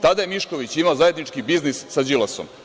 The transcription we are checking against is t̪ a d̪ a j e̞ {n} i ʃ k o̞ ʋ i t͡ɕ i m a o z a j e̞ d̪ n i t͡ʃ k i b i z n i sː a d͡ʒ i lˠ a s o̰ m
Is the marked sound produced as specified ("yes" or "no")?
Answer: no